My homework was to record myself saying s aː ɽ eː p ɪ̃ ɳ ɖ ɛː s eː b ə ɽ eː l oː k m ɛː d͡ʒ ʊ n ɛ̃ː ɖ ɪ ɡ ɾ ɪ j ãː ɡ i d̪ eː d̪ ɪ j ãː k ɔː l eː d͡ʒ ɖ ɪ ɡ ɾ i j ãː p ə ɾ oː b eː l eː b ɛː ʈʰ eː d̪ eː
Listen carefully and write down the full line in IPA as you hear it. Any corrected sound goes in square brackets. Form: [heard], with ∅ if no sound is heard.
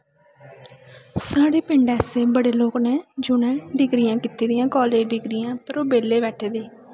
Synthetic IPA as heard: s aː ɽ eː p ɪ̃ ɳ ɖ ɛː s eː b ə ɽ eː l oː k [n] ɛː d͡ʒ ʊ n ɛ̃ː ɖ ɪ ɡ ɾ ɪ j ãː [k] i [t̪] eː d̪ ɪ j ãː k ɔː l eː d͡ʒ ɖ ɪ ɡ ɾ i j ãː p ə ɾ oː b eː l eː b ɛː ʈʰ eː d̪ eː